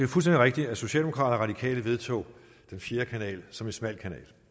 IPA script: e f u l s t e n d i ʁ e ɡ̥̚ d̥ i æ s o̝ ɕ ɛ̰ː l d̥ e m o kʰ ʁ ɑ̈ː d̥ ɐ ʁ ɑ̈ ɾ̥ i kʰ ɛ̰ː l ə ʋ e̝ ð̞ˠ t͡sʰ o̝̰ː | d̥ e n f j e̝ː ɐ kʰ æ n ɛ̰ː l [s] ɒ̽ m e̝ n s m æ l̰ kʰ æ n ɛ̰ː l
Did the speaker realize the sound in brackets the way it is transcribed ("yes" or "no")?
yes